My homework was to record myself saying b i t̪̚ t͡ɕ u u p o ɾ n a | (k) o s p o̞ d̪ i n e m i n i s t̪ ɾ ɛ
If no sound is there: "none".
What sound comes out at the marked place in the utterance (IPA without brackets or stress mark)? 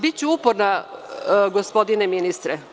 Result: ɡ